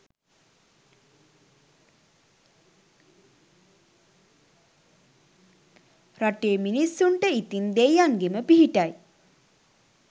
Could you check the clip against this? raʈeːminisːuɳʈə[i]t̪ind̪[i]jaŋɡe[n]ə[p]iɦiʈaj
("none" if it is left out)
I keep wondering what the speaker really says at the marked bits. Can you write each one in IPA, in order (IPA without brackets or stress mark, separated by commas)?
i, e, m, p